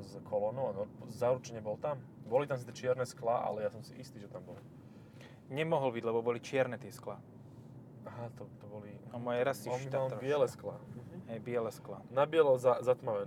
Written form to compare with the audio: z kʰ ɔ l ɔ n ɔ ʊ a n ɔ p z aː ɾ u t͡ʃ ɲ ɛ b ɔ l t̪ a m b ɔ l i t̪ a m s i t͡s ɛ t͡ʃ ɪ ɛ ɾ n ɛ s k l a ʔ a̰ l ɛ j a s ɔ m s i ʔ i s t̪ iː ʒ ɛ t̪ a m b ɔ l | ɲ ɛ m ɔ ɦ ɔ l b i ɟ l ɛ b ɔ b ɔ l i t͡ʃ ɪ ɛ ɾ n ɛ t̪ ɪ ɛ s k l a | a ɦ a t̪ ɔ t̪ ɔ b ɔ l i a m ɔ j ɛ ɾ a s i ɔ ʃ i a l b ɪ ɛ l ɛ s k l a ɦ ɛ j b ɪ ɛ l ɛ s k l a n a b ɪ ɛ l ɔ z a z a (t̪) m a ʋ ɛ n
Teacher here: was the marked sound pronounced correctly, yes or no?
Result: yes